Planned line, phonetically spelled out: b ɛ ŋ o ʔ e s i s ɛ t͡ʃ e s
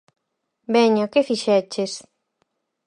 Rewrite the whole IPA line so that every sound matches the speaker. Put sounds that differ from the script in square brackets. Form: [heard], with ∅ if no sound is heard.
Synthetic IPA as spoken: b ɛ [ɲ] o [k] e [f] i [ʃ] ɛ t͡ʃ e s